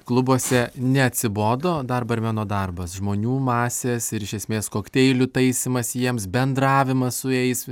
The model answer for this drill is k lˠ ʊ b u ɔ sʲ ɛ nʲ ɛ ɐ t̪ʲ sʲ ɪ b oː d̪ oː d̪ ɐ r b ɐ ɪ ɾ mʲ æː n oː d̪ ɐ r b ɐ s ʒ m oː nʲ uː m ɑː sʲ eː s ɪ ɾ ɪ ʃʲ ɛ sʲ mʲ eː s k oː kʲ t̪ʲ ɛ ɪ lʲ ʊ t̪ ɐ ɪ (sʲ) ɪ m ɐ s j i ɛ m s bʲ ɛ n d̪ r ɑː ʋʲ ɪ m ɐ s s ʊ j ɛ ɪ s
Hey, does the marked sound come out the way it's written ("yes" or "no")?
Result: yes